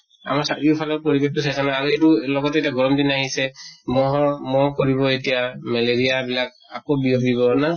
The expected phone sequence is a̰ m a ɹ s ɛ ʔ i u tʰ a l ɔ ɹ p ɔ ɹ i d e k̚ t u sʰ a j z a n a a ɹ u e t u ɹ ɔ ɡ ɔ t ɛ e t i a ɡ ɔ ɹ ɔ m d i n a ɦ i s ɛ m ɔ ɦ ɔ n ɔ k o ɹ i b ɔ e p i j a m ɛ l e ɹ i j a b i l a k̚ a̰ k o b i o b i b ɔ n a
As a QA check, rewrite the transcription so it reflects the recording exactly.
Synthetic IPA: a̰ m a ɹ s a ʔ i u pʰ a l ɔ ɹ p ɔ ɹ i b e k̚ t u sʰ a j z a n a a ɹ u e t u l ɔ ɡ ɔ t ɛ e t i a ɡ ɔ ɹ ɔ m d i n a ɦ i s ɛ m ɔ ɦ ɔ m ɔ k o ɹ i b ɔ e t i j a m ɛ l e ɹ i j a b i l a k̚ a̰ k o b i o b i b ɔ n a

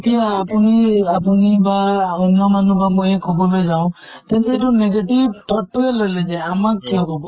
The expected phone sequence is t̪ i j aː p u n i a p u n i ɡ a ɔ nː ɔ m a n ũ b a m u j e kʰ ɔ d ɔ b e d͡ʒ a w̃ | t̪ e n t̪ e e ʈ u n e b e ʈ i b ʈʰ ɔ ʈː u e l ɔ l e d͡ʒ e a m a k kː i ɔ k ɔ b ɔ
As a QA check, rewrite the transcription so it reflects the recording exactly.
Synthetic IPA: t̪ i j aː p u n i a p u n i b a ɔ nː ɔ m a n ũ b a m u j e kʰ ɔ b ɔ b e d͡ʒ a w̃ | t̪ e n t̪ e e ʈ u n e ɡ e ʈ i b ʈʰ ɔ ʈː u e l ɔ l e d͡ʒ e a m a k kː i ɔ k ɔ b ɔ

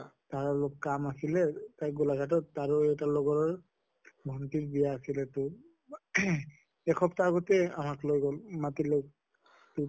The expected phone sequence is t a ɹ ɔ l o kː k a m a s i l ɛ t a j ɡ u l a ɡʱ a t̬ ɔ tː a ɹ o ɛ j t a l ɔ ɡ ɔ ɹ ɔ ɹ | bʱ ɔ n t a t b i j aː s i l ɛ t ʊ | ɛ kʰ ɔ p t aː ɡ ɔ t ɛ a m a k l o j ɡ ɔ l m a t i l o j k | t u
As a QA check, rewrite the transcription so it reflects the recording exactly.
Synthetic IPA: t a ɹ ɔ l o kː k a m a s i l ɛ t a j ɡ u l a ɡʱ a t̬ ɔ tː a ɹ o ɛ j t a l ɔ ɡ ɔ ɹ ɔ ɹ | bʱ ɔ n t i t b i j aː s i l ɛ t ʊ | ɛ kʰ ɔ p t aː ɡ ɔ t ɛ a m a k l o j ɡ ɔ l m a t i l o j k | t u

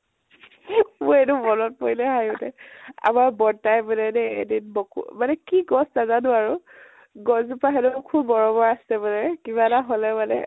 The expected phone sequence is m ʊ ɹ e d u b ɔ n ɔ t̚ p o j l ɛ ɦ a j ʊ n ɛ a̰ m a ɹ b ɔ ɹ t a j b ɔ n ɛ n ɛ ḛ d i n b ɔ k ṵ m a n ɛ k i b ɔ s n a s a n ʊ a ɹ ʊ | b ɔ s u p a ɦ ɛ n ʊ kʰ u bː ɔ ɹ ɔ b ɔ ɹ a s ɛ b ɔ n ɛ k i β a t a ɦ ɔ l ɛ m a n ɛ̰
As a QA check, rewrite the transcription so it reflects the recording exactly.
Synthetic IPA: m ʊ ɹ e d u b ɔ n ɔ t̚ p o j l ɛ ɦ a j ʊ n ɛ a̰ m a ɹ b ɔ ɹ t a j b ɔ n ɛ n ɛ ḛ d i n b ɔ k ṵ m a n ɛ k i ɡ ɔ s n a z a n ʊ a ɹ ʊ | ɡ ɔ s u p a ɦ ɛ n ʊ kʰ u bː ɔ ɹ ɔ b ɔ ɹ a s ɛ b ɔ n ɛ k i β a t a ɦ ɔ l ɛ m a n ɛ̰

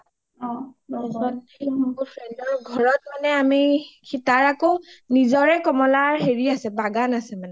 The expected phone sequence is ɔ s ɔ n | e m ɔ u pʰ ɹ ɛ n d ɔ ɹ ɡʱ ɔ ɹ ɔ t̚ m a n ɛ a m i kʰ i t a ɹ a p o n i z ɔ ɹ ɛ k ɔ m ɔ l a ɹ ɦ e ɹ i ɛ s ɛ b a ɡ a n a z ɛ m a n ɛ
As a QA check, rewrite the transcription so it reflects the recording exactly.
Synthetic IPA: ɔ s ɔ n | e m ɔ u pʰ ɹ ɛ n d ɔ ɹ ɡʱ ɔ ɹ ɔ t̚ m a n ɛ a m i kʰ i t a ɹ a k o n i z ɔ ɹ ɛ k ɔ m ɔ l a ɹ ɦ e ɹ i a s ɛ b a ɡ a n a s ɛ m a n ɛ

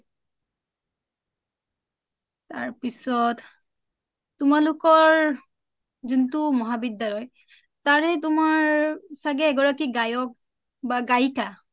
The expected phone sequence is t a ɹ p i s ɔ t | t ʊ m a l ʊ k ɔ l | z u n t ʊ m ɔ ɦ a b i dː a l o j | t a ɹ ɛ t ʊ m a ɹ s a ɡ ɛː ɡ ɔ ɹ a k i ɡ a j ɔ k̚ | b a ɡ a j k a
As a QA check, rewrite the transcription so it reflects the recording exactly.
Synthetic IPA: t a ɹ p i s ɔ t | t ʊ m a l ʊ k ɔ ɹ | z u n t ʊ m ɔ ɦ a b i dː a l ɔ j | t a ɹ ɛ t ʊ m a ɹ s a ɡ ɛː ɡ ɔ ɹ a k i ɡ a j ɔ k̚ | b a ɡ a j k a

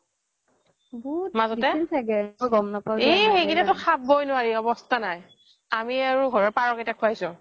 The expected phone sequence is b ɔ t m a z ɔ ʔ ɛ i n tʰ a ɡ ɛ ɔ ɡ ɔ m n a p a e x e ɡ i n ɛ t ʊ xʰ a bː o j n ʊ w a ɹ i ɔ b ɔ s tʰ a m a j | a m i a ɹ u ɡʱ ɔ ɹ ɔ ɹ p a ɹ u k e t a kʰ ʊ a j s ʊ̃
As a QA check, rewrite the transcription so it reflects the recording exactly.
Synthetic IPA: b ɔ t m a z ɔ t ɛ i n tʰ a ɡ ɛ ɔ ɡ ɔ m n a p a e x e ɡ i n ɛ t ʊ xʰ a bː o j n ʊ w a ɹ i ɔ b ɔ s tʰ a n a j | a m i a ɹ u ɡʱ ɔ ɹ ɔ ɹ p a ɹ ɔ k e t a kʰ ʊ a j s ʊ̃

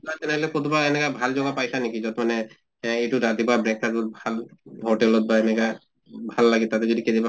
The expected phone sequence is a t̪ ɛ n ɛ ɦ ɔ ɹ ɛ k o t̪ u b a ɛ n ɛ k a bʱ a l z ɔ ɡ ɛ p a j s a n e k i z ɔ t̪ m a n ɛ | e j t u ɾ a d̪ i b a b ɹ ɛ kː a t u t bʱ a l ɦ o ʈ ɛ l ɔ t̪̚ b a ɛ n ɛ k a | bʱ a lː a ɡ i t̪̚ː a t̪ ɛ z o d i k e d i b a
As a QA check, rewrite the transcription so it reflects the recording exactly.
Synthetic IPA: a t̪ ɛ n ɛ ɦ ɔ l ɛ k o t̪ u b a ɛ n ɛ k a bʱ a l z ɔ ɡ a p a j s a n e k i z ɔ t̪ m a n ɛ | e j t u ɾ a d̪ i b a b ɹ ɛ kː a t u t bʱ a l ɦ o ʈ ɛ l ɔ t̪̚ b a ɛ n ɛ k a | bʱ a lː a ɡ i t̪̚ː a t̪ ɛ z o d i k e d i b a

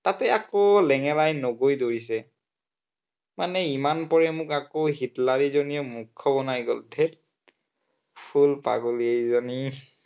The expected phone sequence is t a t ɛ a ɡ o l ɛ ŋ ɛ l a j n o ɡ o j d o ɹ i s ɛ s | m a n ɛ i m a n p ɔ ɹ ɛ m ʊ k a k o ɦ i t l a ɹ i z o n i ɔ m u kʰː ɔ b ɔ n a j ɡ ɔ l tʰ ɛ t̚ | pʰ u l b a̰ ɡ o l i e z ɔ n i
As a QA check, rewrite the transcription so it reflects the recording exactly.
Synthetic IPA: t a t ɛ a k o l ɛ ŋ ɛ l a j n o ɡ o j d o ɹ i s ɛ | m a n ɛ i m a n p ɔ ɹ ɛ m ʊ k a k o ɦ i t l a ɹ i z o n i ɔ m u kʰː ɔ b ɔ n a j ɡ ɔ l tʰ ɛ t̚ | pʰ u l p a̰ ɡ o l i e z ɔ n i

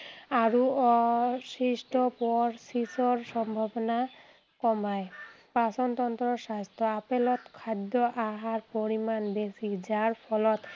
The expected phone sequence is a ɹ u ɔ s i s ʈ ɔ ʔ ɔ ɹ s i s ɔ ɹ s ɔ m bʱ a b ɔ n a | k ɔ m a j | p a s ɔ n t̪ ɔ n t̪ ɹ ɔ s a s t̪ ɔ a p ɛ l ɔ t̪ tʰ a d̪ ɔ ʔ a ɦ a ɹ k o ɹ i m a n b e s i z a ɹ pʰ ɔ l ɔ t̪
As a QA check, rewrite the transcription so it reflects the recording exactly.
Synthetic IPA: a ɹ u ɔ s i s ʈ ɔ p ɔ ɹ s i s ɔ ɹ s ɔ m bʱ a b ɔ n a | k ɔ m a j | p a s ɔ n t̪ ɔ n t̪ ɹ ɔ s a s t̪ ɔ a p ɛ l ɔ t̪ kʰ a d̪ ɔ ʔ a ɦ a ɹ p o ɹ i m a n b e s i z a ɹ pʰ ɔ l ɔ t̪

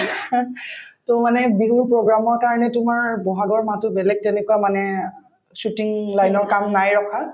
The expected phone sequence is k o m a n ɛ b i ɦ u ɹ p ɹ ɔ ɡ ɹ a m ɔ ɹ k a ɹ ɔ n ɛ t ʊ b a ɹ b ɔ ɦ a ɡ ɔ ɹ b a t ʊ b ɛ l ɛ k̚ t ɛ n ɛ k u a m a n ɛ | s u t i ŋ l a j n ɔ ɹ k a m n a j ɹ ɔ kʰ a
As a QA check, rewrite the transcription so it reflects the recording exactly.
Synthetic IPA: t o m a n ɛ b i ɦ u ɹ p ɹ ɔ ɡ ɹ a m ɔ ɹ k a ɹ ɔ n ɛ t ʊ m a ɹ b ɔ ɦ a ɡ ɔ ɹ m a t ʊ b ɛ l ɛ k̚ t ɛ n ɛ k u a m a n ɛ | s u t i ŋ l a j n ɔ ɹ k a m n a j ɹ ɔ kʰ a

